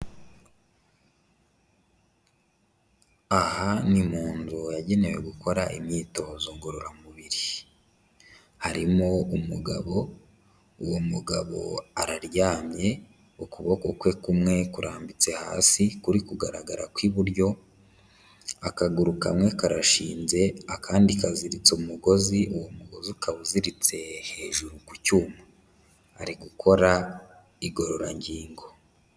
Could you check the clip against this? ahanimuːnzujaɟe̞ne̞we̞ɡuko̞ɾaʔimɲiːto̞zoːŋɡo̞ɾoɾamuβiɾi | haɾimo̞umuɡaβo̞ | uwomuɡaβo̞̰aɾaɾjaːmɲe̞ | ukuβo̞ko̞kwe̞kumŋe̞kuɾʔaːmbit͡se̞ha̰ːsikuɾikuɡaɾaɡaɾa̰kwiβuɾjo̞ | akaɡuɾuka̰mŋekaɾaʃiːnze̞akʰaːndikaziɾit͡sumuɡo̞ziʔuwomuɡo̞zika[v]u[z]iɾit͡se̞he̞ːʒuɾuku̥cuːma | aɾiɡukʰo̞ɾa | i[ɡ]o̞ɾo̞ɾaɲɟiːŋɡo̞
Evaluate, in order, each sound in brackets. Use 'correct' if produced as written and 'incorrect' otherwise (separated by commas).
incorrect, correct, correct